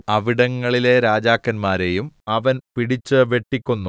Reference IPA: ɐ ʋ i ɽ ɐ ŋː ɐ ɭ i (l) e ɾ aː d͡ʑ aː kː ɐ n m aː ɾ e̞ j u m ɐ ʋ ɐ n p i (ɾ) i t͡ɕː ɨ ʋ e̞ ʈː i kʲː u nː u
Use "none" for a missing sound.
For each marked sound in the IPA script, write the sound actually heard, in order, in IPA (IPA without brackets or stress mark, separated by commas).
l, ɽ